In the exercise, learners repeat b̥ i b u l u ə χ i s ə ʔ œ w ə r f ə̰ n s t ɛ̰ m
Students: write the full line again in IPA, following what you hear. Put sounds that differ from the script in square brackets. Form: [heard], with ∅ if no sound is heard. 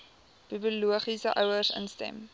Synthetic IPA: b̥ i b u l u ə χ i s ə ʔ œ w ə r [s] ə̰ n s t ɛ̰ m